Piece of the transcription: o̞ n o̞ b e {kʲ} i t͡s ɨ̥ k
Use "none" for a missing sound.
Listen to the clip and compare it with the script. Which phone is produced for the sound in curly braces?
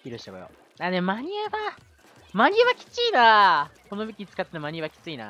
kʲ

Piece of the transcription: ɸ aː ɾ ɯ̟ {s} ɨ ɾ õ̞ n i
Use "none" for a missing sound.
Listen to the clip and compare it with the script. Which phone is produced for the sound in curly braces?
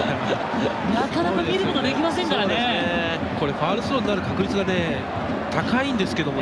s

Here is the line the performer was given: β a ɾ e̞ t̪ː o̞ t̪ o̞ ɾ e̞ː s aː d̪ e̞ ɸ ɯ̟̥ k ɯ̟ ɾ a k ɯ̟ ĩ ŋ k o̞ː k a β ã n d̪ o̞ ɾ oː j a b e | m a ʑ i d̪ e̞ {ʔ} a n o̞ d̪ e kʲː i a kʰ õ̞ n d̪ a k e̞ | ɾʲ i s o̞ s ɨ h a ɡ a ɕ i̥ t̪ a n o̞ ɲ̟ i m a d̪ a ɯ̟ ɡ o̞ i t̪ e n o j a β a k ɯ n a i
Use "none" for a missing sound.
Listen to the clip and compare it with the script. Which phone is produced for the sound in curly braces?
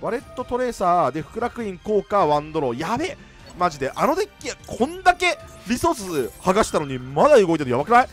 ʔ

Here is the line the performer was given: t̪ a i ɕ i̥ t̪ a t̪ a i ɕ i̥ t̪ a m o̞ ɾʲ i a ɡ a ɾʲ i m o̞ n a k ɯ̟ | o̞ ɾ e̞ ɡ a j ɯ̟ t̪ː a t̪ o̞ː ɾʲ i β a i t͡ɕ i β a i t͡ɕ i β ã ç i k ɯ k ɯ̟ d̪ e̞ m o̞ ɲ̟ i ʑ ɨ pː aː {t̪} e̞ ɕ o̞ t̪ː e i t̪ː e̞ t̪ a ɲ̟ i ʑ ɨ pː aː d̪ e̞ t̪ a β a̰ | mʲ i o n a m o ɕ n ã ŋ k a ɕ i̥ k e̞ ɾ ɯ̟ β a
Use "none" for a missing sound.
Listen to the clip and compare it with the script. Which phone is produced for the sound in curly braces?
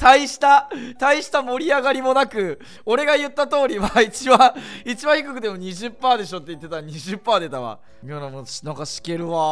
d̪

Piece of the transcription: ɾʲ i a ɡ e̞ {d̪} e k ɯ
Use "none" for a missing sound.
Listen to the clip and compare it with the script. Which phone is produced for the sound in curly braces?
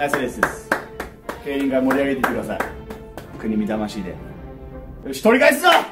t̪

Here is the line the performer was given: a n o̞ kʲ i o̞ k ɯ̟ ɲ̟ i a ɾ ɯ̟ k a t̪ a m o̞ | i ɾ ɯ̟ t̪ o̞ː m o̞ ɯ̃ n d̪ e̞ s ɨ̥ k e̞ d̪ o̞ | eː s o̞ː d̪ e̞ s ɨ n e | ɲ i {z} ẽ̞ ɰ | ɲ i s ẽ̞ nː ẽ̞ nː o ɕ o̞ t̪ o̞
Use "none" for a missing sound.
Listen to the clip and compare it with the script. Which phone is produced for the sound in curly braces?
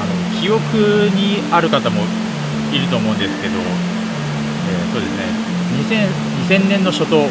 s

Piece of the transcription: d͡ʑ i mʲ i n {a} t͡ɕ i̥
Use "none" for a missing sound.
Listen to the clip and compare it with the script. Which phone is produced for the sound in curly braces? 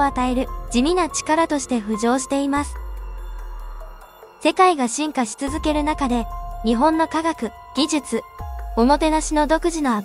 a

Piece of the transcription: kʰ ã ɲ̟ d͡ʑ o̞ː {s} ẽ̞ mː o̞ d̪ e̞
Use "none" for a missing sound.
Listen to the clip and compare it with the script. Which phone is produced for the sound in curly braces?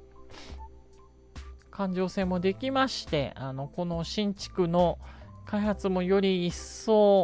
s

